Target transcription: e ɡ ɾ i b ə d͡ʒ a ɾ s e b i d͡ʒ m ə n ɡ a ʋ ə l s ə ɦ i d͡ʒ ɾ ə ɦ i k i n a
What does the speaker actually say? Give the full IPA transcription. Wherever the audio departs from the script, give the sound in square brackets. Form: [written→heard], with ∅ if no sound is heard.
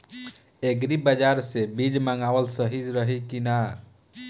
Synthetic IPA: e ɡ ɾ i b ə d͡ʒ a ɾ s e b i d͡ʒ m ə [n→ŋ] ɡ a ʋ ə l s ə ɦ i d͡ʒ ɾ ə ɦ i k i n a